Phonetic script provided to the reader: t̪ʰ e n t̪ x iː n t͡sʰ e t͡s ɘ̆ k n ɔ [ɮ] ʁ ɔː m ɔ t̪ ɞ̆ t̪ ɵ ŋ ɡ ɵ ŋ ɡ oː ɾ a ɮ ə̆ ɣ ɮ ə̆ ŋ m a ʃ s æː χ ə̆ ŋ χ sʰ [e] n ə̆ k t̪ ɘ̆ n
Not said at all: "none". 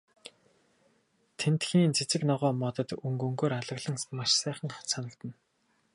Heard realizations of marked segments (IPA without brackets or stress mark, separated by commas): none, a